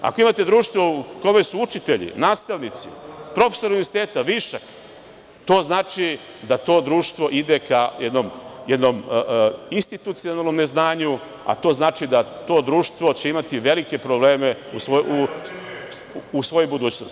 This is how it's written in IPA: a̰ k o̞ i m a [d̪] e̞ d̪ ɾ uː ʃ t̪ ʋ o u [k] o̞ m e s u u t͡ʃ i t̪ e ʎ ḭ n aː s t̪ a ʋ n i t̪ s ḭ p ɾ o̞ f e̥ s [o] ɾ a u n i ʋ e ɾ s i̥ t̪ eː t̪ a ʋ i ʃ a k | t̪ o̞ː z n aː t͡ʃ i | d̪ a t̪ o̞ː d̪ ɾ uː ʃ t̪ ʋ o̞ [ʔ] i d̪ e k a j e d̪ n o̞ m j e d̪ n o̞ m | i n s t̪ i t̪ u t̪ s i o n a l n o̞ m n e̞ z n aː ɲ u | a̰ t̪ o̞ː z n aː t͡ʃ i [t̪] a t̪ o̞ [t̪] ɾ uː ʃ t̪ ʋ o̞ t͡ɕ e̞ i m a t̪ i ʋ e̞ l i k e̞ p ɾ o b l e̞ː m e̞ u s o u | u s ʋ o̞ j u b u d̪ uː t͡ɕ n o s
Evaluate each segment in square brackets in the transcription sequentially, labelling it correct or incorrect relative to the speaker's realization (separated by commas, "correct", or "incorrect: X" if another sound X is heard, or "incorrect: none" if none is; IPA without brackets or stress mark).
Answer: incorrect: t̪, correct, correct, correct, incorrect: d̪, incorrect: d̪